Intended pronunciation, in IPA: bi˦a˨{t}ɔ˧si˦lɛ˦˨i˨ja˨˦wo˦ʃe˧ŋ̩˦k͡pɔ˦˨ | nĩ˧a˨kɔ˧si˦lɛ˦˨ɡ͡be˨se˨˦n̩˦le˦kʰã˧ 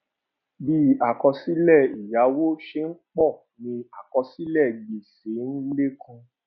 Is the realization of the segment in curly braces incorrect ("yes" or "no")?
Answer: yes